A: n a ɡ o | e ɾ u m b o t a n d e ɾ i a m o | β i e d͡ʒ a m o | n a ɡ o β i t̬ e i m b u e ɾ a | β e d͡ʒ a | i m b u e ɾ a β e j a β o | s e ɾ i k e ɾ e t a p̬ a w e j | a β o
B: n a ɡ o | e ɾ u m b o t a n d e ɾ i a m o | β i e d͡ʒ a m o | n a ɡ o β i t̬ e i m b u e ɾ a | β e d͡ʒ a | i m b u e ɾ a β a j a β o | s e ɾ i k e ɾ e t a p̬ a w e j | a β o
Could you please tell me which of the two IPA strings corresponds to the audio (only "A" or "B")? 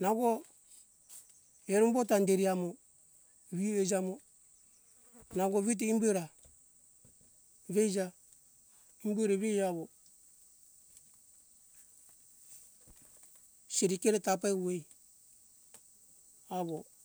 A